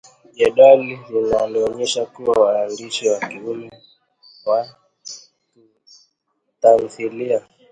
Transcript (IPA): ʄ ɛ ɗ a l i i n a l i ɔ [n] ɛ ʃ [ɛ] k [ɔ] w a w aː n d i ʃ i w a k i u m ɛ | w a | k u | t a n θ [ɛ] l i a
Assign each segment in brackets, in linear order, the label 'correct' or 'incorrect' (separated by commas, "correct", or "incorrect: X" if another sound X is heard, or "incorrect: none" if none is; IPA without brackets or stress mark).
incorrect: ɲ, incorrect: a, incorrect: u, incorrect: i